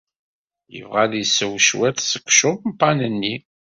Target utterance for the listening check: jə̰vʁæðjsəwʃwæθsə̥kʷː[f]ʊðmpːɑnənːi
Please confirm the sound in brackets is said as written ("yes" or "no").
no